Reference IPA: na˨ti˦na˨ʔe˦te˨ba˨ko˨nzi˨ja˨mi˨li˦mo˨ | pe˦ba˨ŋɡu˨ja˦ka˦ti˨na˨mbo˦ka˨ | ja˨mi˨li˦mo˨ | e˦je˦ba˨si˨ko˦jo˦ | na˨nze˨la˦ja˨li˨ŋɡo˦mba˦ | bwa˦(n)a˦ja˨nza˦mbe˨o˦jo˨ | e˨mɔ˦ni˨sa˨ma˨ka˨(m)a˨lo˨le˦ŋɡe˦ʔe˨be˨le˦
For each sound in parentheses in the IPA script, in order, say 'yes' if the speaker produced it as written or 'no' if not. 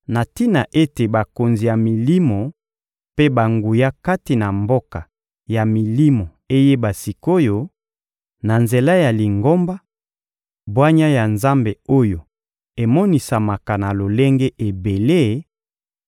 no, no

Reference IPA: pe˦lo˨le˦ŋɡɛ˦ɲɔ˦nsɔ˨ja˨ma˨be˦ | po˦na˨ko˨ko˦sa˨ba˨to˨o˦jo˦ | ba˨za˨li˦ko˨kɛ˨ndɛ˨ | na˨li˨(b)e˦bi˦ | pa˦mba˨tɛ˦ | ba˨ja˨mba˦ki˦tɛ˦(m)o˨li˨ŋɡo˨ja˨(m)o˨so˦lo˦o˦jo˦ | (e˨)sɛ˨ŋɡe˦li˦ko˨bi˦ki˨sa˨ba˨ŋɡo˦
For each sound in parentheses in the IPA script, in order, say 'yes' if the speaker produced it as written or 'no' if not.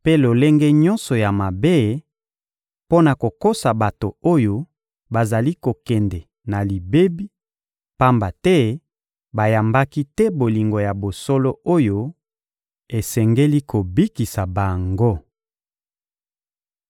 yes, no, no, yes

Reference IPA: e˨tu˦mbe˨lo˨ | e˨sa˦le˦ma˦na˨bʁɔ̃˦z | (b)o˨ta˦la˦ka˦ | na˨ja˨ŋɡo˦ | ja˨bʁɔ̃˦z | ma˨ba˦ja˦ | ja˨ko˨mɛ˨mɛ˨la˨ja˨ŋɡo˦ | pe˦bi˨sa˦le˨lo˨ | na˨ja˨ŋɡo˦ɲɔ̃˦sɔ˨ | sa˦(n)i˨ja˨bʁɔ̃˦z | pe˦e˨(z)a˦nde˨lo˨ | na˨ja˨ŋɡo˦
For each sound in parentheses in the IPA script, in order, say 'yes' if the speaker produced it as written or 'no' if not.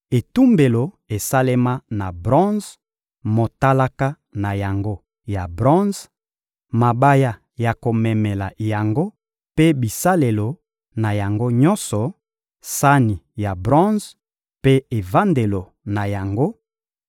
no, yes, no

